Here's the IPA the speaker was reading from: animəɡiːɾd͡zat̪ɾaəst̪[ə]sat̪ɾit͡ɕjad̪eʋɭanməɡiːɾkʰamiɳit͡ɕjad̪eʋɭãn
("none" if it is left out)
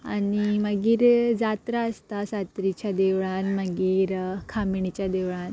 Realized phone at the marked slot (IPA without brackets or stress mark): a